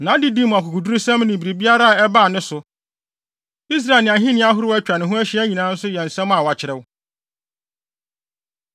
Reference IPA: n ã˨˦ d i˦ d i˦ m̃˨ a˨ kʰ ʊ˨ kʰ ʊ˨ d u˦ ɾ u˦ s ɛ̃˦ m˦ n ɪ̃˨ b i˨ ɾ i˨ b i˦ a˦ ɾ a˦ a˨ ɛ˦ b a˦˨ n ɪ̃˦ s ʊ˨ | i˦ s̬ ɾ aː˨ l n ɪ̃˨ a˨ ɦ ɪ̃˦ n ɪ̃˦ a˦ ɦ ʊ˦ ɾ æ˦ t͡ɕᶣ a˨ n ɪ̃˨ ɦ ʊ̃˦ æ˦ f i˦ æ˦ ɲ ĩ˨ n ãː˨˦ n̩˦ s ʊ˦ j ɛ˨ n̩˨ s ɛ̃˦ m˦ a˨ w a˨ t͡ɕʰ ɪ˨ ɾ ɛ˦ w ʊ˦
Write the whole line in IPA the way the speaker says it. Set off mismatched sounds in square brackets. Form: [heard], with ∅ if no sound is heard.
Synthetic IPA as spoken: n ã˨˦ d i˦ d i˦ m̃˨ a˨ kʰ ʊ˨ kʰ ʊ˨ d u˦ ɾ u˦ s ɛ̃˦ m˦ n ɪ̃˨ b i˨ ɾ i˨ b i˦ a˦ ɾ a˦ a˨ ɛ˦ b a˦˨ n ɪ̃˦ s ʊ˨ | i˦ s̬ ɾ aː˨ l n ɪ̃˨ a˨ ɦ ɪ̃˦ n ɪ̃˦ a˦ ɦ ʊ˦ ɾ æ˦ t͡ɕᶣ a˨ n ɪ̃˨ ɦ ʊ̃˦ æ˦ [ɕ] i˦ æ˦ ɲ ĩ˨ n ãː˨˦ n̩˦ s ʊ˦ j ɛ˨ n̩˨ s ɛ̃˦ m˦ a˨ w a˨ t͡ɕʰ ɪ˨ ɾ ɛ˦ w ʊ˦